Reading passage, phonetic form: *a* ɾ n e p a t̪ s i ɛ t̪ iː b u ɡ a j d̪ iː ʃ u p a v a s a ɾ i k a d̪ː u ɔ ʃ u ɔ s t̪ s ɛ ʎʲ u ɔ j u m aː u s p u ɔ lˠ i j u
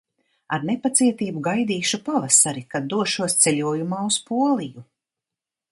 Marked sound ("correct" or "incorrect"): correct